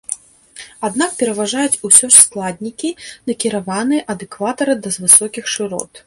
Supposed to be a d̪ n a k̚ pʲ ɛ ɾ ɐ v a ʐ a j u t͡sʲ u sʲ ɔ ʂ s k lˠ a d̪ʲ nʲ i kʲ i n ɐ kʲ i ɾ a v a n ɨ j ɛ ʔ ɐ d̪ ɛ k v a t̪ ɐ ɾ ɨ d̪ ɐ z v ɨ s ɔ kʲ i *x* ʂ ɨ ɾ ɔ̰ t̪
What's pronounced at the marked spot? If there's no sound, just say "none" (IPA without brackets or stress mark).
x